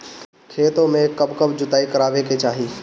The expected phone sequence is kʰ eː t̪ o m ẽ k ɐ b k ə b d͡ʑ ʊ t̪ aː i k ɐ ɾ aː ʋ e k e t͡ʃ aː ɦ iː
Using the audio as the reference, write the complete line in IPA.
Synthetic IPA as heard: kʰ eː t̪ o m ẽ k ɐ b k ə b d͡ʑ ʊ t̪ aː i k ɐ ɾ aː ʋ e k e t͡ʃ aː ɦ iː